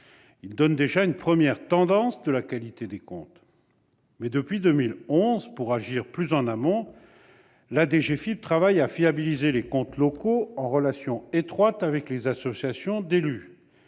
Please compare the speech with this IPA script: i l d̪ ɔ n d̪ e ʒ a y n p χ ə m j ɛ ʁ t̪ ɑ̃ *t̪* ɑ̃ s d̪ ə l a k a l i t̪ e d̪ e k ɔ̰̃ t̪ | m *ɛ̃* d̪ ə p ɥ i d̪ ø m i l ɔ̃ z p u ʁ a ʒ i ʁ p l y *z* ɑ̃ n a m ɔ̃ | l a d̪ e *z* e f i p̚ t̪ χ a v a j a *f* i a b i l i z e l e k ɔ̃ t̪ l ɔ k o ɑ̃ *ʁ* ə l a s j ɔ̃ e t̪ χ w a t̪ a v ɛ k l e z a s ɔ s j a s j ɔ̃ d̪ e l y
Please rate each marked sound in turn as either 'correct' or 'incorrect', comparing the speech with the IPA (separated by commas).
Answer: incorrect, incorrect, correct, incorrect, correct, correct